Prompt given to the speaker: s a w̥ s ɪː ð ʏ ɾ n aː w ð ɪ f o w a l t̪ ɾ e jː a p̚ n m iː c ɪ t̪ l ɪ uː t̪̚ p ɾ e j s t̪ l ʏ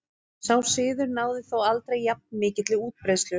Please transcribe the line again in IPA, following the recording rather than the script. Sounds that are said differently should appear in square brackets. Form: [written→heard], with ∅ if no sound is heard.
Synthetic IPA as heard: s a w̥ s ɪː ð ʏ ɾ n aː w ð ɪ [f→θ] o w a l t̪ ɾ e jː a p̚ n m [iː→ɪː] c ɪ t̪ l ɪ uː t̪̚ p ɾ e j s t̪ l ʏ